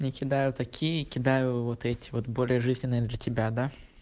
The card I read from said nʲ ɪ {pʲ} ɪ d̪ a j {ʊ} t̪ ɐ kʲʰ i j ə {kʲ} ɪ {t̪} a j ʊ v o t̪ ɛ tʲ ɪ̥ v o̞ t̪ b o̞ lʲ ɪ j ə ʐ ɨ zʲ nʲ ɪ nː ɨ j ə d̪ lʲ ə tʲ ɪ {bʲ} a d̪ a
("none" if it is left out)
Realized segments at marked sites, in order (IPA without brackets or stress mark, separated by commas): kʲ, ʊ, kʲ, d̪, bʲ